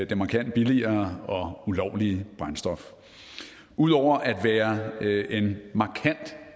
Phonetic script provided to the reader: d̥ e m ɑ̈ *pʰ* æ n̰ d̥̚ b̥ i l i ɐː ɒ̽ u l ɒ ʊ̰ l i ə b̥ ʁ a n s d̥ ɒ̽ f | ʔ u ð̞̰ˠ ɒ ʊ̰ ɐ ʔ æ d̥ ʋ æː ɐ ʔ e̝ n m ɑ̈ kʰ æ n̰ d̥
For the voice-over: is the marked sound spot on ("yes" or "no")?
no